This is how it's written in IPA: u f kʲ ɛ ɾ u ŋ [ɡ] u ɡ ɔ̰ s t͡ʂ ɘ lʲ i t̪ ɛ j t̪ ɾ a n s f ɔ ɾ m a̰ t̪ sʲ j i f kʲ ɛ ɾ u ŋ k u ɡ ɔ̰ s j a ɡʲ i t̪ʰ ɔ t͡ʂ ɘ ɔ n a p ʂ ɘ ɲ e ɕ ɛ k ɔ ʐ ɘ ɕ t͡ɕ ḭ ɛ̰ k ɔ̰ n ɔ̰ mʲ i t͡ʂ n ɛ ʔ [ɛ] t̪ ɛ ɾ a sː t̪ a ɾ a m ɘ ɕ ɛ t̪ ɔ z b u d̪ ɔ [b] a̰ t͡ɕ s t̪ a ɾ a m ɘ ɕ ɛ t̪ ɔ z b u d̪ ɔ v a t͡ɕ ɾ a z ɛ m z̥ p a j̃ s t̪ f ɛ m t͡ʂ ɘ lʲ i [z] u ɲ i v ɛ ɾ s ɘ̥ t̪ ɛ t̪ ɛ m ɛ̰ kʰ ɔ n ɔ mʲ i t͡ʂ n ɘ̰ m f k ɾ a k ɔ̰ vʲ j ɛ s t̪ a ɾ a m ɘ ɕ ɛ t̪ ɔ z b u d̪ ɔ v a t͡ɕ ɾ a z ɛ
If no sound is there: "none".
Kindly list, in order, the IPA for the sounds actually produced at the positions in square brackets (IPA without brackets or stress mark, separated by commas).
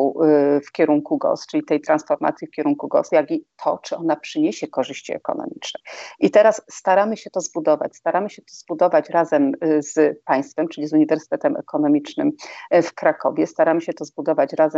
k, i, v, z